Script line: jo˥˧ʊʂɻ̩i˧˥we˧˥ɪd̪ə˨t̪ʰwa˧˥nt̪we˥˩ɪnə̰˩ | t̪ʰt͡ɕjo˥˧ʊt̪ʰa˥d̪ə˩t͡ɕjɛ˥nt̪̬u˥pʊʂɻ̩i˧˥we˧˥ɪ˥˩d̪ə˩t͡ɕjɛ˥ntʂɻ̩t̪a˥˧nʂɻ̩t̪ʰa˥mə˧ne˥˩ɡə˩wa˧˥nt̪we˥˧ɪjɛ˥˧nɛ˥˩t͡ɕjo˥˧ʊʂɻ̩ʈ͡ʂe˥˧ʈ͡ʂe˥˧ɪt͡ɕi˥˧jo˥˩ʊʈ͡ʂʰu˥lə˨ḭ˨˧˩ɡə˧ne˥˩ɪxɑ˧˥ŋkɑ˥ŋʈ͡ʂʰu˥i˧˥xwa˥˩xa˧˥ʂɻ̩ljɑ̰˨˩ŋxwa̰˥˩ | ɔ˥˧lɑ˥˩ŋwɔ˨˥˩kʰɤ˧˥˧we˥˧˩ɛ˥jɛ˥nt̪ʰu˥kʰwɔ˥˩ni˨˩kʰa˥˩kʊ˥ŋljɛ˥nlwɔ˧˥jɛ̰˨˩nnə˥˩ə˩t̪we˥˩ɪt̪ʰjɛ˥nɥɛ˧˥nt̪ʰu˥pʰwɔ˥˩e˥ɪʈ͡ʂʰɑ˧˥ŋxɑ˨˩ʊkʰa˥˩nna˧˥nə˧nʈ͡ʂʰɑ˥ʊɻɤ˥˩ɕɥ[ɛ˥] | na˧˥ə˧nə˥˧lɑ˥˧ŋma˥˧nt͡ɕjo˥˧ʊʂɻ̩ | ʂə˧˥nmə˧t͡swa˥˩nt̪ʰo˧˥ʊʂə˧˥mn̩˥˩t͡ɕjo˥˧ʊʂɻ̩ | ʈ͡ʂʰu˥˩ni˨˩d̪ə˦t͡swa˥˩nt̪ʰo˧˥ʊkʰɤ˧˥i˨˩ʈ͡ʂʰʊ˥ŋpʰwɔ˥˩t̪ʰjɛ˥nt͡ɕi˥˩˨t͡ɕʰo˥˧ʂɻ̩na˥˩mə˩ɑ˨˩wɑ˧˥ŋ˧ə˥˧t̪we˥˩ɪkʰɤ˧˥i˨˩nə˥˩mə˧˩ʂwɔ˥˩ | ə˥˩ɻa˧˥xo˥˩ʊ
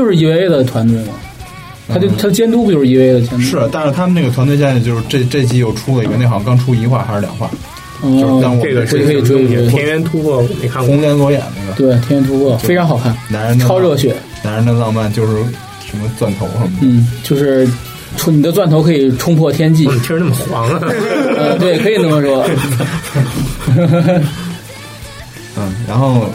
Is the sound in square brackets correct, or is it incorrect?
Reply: incorrect